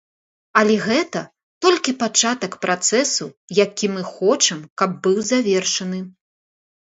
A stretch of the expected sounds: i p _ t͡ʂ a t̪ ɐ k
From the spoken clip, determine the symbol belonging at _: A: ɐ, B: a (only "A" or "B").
B